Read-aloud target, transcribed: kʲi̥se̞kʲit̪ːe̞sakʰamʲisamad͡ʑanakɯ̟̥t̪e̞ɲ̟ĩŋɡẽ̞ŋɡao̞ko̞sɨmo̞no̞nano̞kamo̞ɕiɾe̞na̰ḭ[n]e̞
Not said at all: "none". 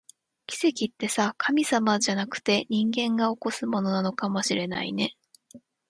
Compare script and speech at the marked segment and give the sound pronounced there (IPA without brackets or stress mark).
n